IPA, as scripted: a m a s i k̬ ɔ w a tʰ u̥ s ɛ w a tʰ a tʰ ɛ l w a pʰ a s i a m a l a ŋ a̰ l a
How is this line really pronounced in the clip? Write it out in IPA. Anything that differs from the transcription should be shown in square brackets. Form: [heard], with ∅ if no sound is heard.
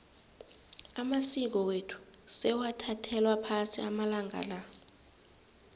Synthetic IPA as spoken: a m a s i k̬ ɔ w [e] tʰ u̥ s ɛ w a tʰ a tʰ ɛ l w a pʰ a s i a m a l a ŋ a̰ l a